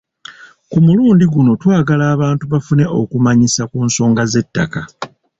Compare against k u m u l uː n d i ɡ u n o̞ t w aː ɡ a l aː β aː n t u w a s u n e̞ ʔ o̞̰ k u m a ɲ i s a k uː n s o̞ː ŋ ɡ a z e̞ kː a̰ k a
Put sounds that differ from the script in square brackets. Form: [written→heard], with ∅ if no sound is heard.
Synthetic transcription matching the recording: k u m u l uː n d i ɡ u n o̞ t w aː ɡ a l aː β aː n t u [w→β] a [s→f] u n e̞ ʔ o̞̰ k u m a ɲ i s a k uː n s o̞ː ŋ ɡ a z e̞ [kː→tː] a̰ k a